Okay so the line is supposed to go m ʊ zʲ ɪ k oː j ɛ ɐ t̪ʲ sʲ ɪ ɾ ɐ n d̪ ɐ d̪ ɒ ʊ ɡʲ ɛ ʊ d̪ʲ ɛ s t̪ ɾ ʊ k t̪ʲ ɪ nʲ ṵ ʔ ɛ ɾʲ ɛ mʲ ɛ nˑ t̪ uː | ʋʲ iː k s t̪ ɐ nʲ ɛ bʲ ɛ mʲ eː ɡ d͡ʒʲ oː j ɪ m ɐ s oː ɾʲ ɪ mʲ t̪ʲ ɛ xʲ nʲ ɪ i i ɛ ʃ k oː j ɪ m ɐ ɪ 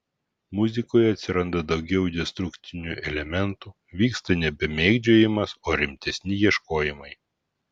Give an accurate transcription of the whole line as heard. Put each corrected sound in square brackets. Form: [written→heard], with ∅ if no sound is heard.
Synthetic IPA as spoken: m ʊ zʲ ɪ k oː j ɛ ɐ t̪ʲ sʲ ɪ ɾ ɐ n d̪ ɐ d̪ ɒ ʊ ɡʲ ɛ ʊ d̪ʲ ɛ s t̪ ɾ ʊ k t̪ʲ ɪ nʲ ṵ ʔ ɛ [ɾʲ→lʲ] ɛ mʲ ɛ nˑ t̪ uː | ʋʲ iː k s t̪ ɐ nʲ ɛ bʲ ɛ mʲ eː ɡ d͡ʒʲ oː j ɪ m ɐ s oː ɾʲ ɪ mʲ t̪ʲ ɛ [xʲ→sʲ] nʲ ɪ [i→j] i ɛ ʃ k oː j ɪ m ɐ ɪ